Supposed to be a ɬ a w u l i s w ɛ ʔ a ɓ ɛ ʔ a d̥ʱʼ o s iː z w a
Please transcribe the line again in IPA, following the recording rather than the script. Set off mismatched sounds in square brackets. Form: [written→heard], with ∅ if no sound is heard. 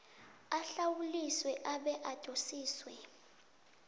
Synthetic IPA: a ɬ a w u l i s w ɛ ʔ a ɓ ɛ ʔ a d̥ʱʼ o s iː [z→s] w [a→ɛ]